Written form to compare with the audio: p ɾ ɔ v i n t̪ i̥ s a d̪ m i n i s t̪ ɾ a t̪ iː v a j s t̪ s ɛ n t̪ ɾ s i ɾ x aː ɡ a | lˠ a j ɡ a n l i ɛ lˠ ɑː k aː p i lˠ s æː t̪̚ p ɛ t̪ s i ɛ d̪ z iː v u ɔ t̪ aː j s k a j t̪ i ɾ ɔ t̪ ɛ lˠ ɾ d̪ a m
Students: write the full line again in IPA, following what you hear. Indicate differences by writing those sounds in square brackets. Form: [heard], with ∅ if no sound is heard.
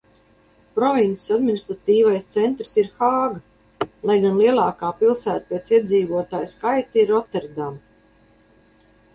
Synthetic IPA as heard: p ɾ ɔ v i n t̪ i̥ s a d̪ m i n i s t̪ ɾ a t̪ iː v a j s t̪ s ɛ n t̪ ɾ s i ɾ x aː ɡ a | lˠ a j ɡ a n l i ɛ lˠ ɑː k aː p i lˠ s æː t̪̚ p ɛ t̪ s i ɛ d̪ z iː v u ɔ t̪ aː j s k a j t̪ i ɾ ɔ t̪ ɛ [∅] ɾ d̪ a m